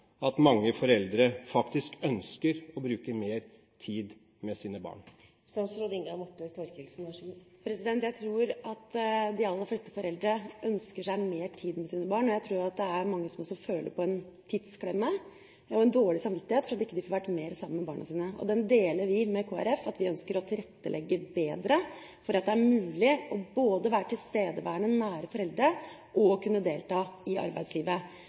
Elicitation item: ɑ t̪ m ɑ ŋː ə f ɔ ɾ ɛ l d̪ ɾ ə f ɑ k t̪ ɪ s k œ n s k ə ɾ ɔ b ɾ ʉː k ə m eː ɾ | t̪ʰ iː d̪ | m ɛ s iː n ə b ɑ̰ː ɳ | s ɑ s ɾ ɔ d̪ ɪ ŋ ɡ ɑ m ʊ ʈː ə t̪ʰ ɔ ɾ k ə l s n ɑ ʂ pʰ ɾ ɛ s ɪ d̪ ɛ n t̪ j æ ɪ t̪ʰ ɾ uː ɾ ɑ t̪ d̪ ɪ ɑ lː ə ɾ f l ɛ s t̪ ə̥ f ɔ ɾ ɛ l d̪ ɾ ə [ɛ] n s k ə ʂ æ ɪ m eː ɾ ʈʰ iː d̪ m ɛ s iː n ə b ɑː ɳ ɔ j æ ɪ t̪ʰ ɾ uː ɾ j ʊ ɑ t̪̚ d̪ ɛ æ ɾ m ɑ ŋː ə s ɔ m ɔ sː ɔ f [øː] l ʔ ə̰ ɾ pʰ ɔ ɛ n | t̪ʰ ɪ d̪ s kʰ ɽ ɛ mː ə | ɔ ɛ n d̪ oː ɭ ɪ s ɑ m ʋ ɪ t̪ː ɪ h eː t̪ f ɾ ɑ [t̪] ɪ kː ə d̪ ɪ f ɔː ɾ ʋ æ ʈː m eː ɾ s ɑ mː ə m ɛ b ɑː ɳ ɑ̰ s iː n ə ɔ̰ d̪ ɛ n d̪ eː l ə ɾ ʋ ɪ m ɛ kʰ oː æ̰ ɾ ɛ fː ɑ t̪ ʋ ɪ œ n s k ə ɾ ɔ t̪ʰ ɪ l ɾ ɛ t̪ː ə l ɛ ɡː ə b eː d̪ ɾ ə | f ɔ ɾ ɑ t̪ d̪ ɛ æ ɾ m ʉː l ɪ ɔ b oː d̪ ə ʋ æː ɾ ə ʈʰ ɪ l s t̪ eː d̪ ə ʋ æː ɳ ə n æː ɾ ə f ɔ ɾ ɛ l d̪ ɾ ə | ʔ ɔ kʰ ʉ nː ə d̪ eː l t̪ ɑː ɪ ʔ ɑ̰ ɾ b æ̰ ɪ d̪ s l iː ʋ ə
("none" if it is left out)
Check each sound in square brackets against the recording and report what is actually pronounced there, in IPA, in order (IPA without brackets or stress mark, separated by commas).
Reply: œ, øː, t̪